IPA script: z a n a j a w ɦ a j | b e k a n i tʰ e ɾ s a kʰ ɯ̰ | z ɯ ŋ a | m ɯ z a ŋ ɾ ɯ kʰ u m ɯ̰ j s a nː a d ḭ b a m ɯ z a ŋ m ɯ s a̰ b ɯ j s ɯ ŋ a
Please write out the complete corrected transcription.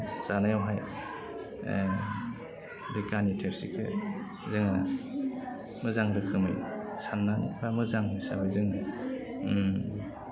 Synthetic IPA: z a n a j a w ɦ a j | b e k a n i tʰ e ɾ s i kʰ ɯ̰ | z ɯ ŋ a | m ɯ z a ŋ ɾ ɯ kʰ ɯ m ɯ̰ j s a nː a n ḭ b a m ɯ z a ŋ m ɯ s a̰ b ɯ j z ɯ ŋ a